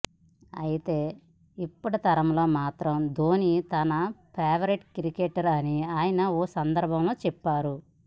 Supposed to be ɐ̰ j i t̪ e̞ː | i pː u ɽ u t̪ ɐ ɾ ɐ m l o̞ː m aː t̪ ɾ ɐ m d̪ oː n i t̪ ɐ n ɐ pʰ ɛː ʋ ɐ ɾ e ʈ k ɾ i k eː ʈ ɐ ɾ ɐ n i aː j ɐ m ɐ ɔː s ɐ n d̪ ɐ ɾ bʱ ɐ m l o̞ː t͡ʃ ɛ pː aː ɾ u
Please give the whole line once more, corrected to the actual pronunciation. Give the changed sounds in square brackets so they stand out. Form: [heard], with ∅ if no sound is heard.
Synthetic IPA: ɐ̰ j i t̪ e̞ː | i pː u ɽ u t̪ ɐ ɾ ɐ m l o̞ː m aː t̪ ɾ ɐ m d̪ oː n i t̪ ɐ n ɐ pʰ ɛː ʋ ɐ ɾ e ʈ k ɾ i k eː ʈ ɐ ɾ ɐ n i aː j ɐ [n] ɐ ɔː s ɐ n d̪ ɐ ɾ bʱ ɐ m l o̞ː t͡ʃ ɛ pː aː ɾ u